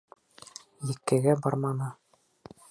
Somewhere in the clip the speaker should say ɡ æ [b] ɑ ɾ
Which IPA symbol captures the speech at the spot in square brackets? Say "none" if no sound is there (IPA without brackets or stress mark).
b